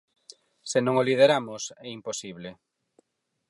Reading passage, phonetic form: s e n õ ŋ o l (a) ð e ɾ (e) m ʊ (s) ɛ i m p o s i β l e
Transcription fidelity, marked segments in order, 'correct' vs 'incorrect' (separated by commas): incorrect, incorrect, correct